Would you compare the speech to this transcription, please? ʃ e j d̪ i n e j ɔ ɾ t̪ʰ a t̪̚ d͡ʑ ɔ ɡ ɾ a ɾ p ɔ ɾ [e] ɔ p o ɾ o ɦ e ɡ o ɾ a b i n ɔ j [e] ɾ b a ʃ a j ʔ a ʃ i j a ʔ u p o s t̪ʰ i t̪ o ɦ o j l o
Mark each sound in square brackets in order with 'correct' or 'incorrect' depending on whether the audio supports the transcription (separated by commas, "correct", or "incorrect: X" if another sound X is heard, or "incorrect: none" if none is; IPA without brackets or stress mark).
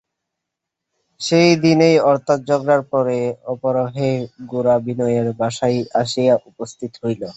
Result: correct, correct